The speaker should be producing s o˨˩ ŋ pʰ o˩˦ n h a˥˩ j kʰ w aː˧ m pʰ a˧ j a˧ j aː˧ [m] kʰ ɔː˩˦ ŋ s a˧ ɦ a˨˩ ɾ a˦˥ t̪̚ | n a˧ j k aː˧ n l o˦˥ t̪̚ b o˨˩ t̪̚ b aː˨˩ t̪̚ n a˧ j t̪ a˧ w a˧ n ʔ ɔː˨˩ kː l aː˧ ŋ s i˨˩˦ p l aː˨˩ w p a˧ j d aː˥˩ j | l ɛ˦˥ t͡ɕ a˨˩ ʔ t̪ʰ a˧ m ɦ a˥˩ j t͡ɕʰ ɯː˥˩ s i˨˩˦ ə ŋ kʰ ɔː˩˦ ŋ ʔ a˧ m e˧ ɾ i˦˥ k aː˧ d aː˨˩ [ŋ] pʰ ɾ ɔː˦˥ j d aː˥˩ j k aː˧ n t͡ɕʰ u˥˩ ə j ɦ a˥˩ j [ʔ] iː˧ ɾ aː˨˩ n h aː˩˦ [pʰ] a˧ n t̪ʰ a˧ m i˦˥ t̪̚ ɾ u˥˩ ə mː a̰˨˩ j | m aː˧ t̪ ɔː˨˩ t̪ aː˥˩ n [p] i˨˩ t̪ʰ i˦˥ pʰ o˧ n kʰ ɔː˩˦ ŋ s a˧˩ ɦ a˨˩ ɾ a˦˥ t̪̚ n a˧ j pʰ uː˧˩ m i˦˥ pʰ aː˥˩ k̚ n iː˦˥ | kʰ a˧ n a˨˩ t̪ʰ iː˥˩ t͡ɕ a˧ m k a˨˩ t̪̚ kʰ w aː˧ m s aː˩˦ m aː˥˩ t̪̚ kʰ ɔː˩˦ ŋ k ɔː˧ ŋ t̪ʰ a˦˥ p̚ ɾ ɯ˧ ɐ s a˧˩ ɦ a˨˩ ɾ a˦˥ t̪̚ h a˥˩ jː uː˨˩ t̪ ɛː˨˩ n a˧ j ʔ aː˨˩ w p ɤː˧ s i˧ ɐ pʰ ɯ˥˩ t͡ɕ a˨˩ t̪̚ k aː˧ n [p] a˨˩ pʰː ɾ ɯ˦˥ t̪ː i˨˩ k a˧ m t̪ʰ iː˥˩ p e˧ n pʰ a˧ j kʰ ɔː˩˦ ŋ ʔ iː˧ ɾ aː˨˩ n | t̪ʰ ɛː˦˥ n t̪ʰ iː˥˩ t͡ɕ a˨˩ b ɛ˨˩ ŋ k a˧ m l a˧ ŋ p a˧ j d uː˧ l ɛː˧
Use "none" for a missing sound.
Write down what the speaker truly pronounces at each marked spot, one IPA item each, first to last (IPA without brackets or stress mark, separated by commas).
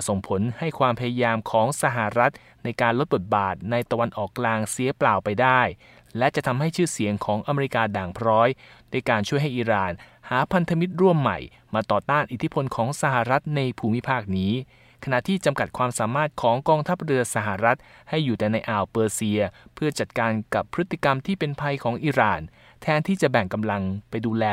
m, ŋ, ʔ, pʰ, ʔ, k